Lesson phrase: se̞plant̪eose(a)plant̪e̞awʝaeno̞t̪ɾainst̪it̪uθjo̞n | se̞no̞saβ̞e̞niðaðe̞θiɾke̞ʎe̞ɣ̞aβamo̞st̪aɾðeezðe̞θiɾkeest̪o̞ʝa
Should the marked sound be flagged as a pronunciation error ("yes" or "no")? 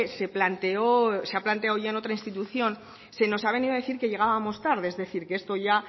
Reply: no